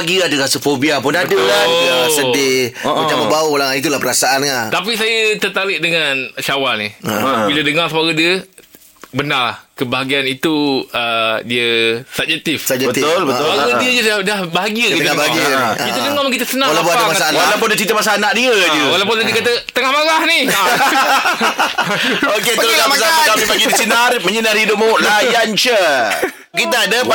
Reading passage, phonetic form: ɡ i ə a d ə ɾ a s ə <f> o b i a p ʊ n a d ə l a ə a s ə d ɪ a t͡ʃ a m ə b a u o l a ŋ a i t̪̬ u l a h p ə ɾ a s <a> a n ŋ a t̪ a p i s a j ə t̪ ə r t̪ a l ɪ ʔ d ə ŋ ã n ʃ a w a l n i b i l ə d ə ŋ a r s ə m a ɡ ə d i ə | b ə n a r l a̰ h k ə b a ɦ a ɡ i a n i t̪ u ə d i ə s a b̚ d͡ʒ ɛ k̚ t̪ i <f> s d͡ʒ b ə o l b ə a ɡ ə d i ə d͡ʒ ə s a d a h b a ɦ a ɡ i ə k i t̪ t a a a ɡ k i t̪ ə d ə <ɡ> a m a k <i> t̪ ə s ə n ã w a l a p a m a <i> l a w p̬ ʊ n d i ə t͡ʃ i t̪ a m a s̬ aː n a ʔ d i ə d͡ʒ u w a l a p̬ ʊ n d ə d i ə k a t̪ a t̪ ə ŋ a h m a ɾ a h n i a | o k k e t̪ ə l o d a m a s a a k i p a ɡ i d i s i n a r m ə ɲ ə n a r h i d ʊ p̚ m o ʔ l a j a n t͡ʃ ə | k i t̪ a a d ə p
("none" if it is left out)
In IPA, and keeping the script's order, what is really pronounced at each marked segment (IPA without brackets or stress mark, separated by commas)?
f, a, f, ŋ, i, a